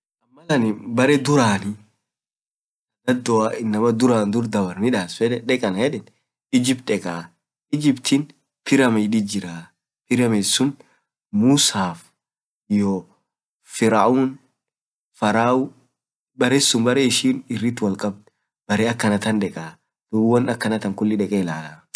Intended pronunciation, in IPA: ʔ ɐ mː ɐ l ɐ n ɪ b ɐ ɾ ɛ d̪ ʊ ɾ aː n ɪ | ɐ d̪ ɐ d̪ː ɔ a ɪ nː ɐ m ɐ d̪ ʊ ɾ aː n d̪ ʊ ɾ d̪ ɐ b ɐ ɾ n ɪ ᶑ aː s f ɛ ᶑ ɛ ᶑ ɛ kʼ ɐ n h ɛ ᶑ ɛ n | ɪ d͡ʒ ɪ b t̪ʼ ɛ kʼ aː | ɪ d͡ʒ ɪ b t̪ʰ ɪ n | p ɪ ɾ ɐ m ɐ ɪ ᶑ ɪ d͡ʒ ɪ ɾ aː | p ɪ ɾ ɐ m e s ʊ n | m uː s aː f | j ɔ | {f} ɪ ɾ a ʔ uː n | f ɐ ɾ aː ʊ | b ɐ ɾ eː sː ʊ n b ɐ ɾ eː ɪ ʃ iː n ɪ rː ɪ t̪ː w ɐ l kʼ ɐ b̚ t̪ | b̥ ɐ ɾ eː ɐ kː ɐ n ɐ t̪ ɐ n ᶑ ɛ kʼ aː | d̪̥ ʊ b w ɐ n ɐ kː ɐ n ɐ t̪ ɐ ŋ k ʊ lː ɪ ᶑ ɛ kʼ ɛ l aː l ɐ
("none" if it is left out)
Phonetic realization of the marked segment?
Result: f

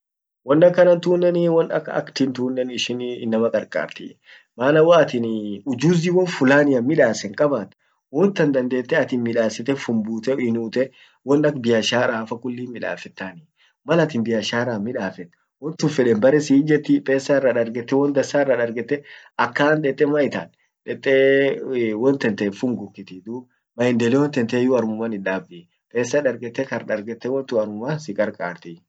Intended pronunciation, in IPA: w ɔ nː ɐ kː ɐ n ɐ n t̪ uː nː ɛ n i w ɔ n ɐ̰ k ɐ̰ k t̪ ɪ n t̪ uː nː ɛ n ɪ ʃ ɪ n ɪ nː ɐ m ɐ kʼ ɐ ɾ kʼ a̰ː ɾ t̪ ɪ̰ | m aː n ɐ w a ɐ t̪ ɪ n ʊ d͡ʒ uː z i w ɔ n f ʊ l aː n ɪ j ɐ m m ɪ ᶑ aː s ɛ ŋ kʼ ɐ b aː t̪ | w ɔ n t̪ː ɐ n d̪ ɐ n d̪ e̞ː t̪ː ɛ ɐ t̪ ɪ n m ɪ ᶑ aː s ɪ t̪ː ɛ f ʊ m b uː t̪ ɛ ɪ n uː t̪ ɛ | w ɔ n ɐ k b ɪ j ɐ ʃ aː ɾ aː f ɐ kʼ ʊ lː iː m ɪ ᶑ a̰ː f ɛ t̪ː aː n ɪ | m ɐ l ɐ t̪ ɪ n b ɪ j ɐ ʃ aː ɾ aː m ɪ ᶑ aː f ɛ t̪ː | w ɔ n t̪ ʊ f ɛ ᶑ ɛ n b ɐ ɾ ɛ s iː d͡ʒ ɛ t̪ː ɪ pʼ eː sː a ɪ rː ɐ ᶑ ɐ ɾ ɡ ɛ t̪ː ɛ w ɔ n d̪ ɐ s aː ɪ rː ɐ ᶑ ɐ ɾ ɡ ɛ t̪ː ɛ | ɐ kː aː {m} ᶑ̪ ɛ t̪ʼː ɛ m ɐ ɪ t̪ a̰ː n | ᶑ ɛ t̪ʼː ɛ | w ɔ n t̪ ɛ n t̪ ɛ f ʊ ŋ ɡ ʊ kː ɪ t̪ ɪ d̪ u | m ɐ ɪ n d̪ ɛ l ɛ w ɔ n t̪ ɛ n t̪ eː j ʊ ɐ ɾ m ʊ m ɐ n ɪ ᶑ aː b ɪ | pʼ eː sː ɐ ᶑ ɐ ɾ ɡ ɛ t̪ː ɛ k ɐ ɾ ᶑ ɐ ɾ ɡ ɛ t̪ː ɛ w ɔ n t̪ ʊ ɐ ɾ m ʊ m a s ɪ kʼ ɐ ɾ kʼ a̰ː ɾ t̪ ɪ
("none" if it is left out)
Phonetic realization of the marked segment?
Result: n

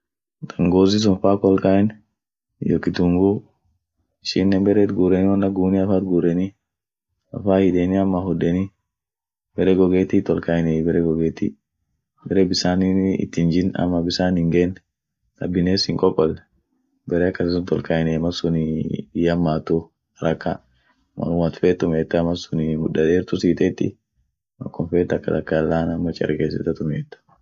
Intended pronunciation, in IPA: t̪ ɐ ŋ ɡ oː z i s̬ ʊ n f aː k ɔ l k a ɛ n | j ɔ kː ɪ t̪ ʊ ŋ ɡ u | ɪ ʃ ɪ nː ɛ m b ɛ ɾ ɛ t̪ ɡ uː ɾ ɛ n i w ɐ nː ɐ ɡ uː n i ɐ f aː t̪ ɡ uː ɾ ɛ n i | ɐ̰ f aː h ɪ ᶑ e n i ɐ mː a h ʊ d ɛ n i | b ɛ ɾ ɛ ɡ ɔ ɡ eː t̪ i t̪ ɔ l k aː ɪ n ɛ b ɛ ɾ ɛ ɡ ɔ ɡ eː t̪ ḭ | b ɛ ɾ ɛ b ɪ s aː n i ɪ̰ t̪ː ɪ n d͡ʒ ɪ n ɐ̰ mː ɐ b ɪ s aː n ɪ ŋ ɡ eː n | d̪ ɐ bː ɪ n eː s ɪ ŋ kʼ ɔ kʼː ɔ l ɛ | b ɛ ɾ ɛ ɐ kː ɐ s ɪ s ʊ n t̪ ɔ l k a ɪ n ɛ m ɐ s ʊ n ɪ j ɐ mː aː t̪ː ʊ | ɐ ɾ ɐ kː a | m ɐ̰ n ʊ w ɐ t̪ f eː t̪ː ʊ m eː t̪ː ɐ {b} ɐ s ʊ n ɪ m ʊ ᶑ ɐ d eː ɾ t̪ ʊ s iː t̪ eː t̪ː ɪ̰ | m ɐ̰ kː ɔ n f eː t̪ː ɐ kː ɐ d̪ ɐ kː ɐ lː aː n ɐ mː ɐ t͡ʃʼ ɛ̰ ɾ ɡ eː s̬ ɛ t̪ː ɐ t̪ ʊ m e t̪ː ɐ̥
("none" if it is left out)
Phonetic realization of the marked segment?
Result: m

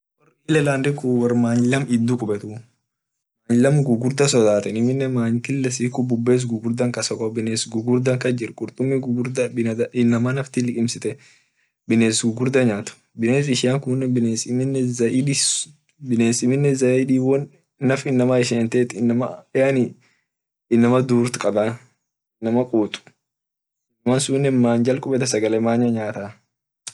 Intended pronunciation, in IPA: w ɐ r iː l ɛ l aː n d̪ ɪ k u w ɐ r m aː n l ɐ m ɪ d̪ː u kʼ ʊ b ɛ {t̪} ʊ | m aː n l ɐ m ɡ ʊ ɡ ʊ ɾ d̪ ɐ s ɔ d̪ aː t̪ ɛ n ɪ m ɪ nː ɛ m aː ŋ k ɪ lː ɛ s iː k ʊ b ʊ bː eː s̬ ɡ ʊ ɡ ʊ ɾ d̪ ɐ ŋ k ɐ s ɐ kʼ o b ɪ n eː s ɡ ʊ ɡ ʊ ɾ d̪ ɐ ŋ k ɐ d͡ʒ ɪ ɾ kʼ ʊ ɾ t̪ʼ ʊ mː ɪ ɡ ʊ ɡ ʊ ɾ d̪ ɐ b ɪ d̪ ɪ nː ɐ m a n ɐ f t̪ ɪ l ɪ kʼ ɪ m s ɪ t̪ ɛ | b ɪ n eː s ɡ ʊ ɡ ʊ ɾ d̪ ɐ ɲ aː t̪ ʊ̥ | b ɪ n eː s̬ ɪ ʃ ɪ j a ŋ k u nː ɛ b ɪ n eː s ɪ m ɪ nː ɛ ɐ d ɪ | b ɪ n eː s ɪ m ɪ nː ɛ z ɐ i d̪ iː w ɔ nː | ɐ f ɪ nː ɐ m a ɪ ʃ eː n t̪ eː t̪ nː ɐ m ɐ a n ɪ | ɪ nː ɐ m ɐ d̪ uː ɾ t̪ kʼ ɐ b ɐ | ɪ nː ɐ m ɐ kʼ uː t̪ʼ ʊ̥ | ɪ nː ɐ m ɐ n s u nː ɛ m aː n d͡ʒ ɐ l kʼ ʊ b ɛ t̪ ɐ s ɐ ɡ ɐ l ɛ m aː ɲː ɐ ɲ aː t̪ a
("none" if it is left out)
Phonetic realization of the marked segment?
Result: t̪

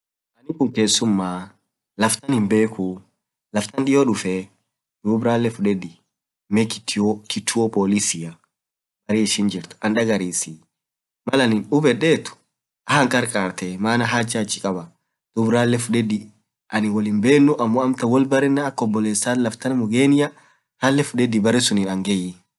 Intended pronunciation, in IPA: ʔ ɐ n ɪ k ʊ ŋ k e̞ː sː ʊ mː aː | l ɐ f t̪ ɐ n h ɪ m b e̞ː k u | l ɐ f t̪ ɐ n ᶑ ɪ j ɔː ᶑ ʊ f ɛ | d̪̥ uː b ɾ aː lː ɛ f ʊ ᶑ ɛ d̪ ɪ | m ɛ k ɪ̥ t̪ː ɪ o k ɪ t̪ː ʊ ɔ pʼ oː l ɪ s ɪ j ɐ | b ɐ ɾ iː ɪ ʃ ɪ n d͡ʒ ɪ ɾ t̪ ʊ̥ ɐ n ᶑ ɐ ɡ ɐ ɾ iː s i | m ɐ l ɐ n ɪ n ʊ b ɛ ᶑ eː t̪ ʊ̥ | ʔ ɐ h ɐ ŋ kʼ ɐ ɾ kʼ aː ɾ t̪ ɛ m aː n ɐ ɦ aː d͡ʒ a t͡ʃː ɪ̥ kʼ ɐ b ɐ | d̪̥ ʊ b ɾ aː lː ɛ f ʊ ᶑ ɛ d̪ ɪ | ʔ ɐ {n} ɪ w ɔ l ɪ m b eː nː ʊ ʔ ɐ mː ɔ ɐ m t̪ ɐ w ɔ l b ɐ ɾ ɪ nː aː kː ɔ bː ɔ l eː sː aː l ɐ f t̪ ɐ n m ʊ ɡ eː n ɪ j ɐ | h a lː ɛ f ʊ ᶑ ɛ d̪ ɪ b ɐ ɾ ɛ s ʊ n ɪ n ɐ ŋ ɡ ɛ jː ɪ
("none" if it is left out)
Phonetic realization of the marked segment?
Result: n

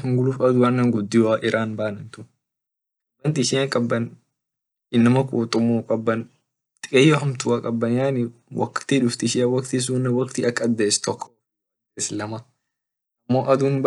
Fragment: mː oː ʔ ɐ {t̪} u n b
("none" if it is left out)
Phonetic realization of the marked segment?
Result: d̪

